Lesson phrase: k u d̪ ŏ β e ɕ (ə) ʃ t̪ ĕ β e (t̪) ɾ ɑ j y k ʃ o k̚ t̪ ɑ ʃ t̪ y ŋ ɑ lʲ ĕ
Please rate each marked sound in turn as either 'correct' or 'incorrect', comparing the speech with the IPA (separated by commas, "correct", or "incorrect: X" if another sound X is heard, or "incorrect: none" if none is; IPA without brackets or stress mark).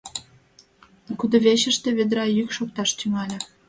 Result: correct, incorrect: d̪